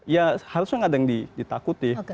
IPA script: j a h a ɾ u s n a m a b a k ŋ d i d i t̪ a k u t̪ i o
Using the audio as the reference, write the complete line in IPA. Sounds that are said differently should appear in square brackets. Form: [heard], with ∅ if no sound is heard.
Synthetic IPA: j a h a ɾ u s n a [ŋ] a [d] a [∅] ŋ d i d i t̪ a k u t̪ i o